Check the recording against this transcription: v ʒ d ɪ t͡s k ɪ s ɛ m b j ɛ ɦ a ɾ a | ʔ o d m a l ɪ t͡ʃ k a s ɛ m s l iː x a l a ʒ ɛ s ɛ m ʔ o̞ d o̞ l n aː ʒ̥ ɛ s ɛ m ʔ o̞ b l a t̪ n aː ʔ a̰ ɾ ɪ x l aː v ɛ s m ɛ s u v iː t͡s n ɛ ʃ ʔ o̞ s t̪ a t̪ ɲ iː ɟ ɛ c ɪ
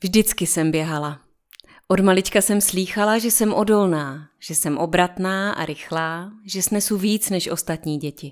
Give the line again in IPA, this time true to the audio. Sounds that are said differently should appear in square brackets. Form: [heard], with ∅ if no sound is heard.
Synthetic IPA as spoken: v ʒ d ɪ t͡s k ɪ s ɛ m b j ɛ ɦ a [l] a | ʔ o d m a l ɪ t͡ʃ k a s ɛ m s l iː x a l a ʒ ɛ s ɛ m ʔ o̞ d o̞ l n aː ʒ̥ ɛ s ɛ m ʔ o̞ b [ɾ] a t̪ n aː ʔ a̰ ɾ ɪ x l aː [ʒ] ɛ s [n] ɛ s u v iː t͡s n ɛ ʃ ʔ o̞ s t̪ a t̪ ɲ iː ɟ ɛ c ɪ